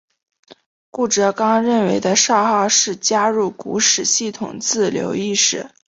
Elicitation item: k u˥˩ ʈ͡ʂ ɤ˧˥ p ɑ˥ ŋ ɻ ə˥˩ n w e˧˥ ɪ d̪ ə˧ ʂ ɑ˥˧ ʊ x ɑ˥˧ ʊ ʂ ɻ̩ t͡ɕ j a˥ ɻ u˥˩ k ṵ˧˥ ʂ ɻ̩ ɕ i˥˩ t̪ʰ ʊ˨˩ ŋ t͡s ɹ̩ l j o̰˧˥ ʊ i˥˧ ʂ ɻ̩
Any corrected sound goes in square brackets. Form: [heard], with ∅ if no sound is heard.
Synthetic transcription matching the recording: k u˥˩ ʈ͡ʂ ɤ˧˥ [k] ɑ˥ ŋ ɻ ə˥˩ n w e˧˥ ɪ d̪ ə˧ ʂ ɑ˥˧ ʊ x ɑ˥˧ ʊ ʂ ɻ̩ t͡ɕ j a˥ ɻ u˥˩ k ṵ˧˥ ʂ ɻ̩ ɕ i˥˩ t̪ʰ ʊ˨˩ ŋ t͡s ɹ̩ l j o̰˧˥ ʊ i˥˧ ʂ ɻ̩

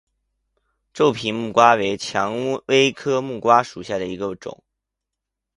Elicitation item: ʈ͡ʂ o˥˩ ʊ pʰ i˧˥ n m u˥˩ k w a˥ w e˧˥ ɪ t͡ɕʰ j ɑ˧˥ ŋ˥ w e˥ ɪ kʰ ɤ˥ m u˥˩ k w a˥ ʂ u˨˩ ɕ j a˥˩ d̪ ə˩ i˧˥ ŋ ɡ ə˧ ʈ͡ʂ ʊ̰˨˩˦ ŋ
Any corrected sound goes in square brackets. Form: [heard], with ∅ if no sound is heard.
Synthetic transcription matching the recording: ʈ͡ʂ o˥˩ ʊ pʰ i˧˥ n m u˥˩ k w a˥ w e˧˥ ɪ t͡ɕʰ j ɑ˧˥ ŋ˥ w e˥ ɪ kʰ ɤ˥ m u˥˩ k w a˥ ʂ u˨˩ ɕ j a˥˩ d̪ ə˩ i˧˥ [∅] ɡ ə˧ ʈ͡ʂ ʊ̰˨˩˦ ŋ

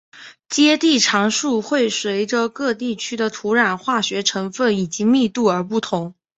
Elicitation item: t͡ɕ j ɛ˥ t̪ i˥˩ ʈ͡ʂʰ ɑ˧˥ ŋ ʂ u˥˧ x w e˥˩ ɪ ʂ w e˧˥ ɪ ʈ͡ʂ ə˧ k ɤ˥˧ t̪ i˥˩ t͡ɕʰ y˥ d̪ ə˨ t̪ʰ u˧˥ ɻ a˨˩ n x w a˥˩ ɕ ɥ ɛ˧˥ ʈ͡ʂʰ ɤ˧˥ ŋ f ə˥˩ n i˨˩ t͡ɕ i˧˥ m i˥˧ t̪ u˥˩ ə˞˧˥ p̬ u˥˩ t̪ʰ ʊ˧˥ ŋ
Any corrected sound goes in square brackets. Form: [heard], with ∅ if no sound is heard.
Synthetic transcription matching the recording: t͡ɕ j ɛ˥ t̪ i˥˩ ʈ͡ʂʰ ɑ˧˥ ŋ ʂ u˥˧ x w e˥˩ ɪ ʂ w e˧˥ ɪ ʈ͡ʂ ə˧ k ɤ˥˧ t̪ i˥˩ t͡ɕʰ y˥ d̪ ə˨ t̪ʰ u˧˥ ɻ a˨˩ n x w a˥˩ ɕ ɥ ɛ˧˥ ʈ͡ʂʰ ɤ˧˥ ŋ f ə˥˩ n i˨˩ t͡ɕ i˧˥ m i˥˧ t̪ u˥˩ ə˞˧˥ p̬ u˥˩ t̪ʰ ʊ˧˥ ŋ

